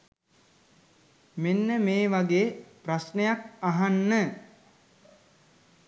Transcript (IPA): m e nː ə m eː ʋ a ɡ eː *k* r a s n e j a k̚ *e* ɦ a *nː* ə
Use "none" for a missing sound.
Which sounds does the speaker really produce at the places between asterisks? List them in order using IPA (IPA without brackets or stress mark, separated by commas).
p, a, nː